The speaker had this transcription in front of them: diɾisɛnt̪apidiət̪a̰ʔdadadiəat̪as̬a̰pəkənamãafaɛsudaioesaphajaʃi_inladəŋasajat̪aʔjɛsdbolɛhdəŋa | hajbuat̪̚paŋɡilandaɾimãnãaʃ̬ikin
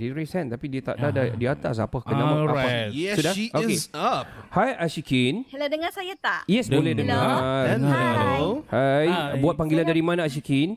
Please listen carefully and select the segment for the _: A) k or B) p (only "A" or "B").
A